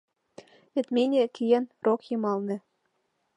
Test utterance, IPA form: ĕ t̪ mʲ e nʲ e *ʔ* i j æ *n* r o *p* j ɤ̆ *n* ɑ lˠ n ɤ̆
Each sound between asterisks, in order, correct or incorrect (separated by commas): incorrect, correct, incorrect, incorrect